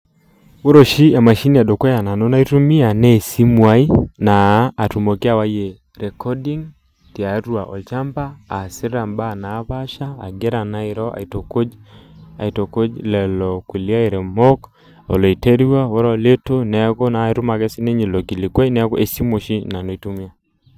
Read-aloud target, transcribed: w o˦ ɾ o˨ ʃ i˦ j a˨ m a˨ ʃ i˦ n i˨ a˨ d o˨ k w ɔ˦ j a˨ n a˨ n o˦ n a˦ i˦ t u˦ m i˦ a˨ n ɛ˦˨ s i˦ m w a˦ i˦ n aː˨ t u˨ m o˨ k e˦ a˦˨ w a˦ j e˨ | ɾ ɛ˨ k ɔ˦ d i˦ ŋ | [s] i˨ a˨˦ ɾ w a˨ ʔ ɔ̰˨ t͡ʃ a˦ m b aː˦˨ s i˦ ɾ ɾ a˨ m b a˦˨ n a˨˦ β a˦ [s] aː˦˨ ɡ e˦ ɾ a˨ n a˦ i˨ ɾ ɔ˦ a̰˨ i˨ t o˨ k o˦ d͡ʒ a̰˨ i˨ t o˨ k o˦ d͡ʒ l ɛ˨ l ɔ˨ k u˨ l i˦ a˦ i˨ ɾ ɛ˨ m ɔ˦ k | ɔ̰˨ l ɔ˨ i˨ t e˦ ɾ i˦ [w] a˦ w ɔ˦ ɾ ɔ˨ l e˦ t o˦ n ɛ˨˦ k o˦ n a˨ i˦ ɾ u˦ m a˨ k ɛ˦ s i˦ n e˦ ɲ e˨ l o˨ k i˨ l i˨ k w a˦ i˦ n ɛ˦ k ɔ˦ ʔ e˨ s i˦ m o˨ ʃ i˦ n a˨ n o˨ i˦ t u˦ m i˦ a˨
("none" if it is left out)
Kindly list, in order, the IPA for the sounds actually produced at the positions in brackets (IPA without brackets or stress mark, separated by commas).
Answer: t, ʃ, w